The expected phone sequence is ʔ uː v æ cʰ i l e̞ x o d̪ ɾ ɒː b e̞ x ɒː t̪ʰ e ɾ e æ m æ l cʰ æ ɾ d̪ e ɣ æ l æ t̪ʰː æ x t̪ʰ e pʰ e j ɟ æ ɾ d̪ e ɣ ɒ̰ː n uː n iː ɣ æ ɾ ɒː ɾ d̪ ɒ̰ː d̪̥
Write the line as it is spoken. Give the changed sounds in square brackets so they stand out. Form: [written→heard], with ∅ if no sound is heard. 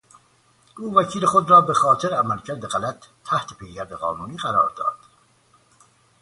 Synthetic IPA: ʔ uː v æ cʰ [i→iː] l e̞ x o d̪ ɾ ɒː b e̞ x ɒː t̪ʰ e ɾ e æ m æ l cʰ æ ɾ d̪ e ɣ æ l æ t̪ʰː æ [x→h] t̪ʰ e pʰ e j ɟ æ ɾ d̪ e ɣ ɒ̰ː n uː n iː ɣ æ ɾ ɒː ɾ d̪ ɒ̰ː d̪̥